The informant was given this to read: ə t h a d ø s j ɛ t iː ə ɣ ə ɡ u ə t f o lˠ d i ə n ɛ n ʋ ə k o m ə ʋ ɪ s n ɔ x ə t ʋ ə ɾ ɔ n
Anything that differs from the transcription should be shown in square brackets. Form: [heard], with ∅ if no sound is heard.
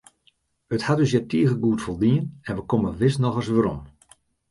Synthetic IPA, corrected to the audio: ə t h a d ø s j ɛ t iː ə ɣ ə ɡ u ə t f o lˠ d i ə n ɛ n ʋ ə k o m ə ʋ ɪ s n ɔ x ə [s] ʋ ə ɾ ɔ [m]